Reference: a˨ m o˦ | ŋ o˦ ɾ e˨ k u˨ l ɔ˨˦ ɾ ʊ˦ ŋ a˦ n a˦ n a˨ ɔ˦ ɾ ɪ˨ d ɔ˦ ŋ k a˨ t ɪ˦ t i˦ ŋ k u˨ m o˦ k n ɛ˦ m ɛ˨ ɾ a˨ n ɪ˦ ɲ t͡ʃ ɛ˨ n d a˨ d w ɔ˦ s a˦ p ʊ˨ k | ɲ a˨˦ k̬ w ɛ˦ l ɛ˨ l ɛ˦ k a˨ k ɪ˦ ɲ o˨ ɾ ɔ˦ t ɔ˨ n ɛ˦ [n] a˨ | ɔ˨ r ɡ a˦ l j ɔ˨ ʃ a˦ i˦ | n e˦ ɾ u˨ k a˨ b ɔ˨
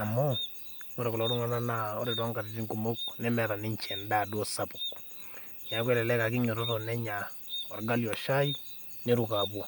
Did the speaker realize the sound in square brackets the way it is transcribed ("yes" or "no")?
no